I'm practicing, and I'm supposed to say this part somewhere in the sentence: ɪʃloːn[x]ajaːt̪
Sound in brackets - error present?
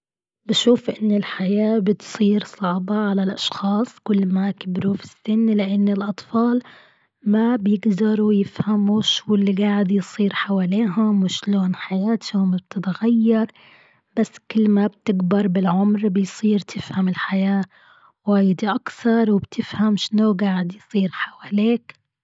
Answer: yes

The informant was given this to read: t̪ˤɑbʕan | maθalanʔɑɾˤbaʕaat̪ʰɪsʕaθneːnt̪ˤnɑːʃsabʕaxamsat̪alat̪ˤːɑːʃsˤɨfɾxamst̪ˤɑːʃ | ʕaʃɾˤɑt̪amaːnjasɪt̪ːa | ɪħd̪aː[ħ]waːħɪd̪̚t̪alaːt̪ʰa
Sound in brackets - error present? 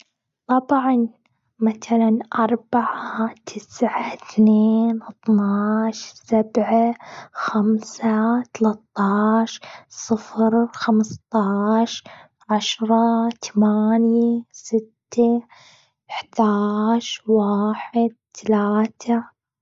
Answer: yes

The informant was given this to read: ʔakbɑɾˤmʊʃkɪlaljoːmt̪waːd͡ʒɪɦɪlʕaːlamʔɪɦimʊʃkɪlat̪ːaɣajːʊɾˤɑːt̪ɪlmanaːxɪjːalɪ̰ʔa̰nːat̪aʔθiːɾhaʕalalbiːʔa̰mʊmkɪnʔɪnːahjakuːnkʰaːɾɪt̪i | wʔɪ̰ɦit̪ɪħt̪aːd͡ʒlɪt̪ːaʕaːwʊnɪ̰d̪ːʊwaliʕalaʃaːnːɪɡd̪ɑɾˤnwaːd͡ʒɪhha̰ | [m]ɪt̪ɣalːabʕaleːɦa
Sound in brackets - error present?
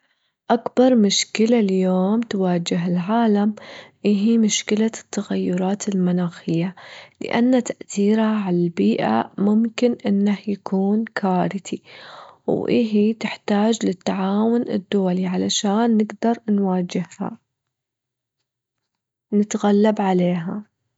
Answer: yes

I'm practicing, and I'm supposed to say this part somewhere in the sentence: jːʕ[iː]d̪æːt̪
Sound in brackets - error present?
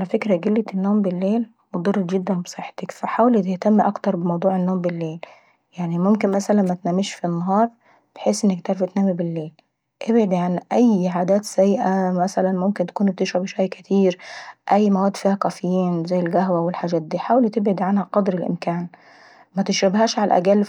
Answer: yes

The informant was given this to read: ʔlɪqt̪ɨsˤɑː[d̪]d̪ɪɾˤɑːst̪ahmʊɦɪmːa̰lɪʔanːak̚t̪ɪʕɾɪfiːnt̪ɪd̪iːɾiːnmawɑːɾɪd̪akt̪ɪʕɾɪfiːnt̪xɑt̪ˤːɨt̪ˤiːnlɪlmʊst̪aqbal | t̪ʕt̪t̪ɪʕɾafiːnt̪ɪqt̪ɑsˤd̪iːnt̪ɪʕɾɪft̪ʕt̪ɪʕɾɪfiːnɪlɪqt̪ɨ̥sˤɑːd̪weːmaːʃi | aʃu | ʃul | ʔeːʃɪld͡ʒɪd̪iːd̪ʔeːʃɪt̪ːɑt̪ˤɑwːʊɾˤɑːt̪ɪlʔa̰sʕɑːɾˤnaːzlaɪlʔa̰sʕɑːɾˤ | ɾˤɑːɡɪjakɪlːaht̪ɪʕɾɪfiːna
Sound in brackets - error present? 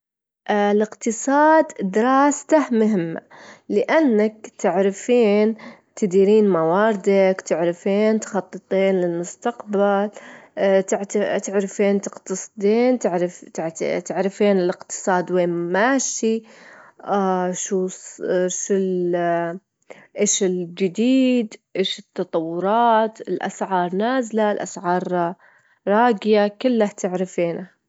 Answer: no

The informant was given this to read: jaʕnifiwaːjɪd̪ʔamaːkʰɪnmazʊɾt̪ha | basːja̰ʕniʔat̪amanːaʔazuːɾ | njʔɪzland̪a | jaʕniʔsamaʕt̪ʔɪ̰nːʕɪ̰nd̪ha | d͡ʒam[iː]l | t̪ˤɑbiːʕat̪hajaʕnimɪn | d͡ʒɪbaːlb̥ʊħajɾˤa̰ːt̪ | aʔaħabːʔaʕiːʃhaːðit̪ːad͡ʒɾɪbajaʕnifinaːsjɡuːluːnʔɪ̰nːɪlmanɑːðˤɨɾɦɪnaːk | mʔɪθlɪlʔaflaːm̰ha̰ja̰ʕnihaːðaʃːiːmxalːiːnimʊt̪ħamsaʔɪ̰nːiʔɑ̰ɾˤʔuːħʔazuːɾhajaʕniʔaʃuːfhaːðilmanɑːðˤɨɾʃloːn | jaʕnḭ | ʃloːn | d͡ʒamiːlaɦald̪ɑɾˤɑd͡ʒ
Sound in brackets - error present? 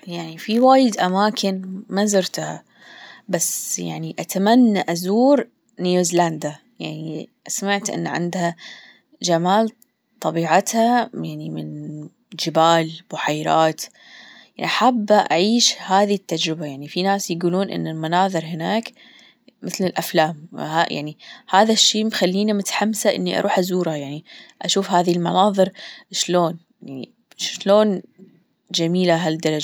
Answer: yes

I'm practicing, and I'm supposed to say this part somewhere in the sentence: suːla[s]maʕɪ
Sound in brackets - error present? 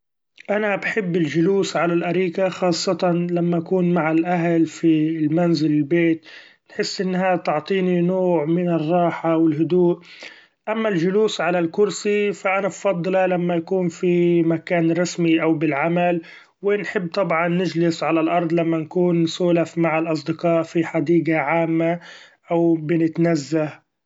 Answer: yes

